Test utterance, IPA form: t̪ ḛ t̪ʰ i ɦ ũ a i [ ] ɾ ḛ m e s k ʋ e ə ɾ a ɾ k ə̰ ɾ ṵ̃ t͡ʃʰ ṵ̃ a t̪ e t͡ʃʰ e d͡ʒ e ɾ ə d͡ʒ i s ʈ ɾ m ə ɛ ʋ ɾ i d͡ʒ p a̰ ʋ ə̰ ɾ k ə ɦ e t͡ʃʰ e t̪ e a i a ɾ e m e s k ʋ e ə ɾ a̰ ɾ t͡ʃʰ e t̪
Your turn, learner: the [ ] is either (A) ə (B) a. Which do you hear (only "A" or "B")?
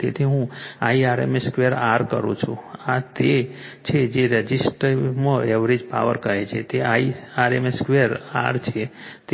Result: B